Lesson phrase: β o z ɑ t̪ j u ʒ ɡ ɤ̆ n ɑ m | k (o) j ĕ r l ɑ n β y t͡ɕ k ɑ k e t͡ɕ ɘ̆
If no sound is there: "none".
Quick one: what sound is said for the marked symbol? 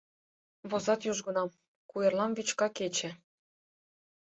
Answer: u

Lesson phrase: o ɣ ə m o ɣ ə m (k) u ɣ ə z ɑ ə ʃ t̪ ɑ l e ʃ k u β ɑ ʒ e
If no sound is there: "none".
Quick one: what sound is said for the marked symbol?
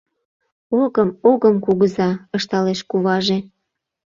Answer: k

